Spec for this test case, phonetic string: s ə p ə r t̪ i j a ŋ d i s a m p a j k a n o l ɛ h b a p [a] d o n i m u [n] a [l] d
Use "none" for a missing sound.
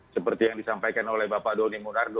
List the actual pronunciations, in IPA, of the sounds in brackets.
a, n, r

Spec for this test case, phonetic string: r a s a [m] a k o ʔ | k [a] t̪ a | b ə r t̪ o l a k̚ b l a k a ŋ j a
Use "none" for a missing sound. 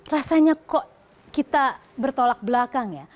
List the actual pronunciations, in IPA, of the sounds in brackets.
ɲ, i

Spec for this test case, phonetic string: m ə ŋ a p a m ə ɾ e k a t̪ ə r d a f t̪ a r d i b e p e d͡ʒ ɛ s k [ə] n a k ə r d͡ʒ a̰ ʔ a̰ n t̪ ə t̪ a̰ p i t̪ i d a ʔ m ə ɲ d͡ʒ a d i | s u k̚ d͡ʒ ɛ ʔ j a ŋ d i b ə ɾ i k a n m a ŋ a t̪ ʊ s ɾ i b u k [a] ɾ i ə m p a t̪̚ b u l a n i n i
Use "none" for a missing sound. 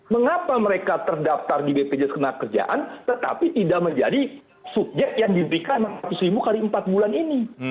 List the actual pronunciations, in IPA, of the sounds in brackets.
ə, a

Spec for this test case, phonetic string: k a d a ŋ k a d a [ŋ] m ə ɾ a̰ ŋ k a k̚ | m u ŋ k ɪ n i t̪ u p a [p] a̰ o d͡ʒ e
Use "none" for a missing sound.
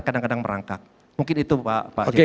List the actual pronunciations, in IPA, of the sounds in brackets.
ŋ, p

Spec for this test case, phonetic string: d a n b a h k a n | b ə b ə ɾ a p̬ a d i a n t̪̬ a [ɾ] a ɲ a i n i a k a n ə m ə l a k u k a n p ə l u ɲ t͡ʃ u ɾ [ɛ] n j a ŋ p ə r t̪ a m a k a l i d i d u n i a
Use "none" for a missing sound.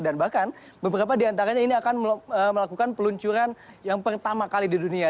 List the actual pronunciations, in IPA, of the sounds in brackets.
ɾ, a

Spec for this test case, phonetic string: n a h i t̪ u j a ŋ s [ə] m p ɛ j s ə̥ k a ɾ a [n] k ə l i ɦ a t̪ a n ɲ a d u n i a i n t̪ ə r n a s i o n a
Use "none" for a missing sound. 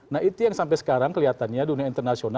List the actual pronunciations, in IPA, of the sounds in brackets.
a, ŋ

